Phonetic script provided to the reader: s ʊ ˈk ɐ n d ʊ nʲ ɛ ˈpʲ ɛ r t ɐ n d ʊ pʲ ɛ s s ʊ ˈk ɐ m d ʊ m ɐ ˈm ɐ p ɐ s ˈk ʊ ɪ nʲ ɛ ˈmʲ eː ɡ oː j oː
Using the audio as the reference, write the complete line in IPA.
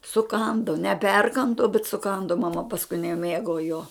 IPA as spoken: s ʊ ˈk ɐ n d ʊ nʲ ɛ ˈpʲ ɛ r k ɐ n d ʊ bʲ ɛ t s ʊ ˈk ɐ n d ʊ m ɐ ˈm ɐ p ɐ s ˈk ʊ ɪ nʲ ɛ ˈmʲ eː ɡ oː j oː